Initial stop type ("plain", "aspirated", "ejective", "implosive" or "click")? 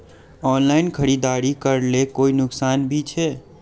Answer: aspirated